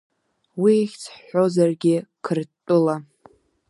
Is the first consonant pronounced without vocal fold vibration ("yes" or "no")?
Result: no